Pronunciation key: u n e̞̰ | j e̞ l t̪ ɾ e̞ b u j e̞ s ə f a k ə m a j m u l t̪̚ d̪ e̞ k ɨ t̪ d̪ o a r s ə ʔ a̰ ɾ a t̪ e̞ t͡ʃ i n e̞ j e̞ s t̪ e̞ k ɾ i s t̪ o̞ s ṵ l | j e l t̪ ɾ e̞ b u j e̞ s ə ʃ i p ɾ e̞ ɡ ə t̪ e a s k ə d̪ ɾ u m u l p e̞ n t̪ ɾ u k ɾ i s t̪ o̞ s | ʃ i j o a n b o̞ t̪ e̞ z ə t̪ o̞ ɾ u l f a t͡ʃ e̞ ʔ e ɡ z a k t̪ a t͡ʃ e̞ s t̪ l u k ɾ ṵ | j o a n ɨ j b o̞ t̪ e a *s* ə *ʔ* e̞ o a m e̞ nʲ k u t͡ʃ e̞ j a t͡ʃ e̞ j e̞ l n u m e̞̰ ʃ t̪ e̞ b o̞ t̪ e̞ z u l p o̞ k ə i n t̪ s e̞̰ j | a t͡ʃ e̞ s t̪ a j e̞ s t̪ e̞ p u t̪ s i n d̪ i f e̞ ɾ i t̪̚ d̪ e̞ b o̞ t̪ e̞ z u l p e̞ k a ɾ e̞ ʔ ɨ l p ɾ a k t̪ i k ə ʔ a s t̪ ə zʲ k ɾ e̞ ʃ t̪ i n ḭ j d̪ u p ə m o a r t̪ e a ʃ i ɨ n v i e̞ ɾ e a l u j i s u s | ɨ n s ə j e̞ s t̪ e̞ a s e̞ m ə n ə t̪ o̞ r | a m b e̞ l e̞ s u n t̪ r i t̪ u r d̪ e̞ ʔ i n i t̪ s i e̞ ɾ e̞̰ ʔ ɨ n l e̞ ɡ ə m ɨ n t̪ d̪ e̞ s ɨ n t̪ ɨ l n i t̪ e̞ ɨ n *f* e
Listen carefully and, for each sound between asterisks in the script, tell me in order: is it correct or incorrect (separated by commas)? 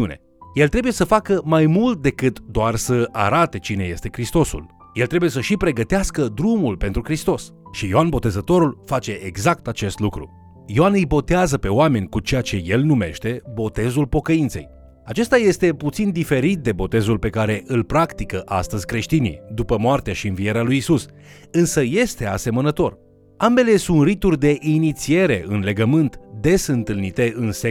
incorrect, incorrect, incorrect